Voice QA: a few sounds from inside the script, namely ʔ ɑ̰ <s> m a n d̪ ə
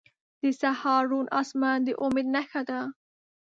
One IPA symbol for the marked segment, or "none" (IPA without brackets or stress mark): s